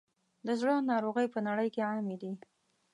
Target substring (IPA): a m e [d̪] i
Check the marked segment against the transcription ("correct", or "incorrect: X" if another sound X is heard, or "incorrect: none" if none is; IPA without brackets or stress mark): correct